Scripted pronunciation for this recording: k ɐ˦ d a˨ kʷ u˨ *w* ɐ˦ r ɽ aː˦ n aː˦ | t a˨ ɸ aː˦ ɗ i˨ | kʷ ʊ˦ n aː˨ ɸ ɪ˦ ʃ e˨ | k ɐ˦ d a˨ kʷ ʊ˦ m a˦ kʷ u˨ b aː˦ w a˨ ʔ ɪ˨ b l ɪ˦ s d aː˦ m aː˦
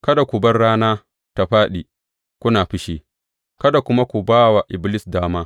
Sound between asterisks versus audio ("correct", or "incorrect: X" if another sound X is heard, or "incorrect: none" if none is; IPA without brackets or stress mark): incorrect: b